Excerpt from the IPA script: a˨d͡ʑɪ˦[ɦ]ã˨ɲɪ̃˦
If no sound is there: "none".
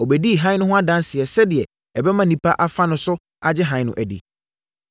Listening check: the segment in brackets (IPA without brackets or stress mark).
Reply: ɦ